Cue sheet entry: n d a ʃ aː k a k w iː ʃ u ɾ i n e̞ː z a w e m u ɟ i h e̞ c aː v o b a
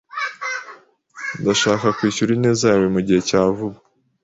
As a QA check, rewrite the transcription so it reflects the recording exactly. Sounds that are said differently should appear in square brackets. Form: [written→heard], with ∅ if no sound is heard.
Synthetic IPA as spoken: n d a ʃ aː k a k w iː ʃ u ɾ i n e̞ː z a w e m u ɟ i h e̞ c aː v [o→u] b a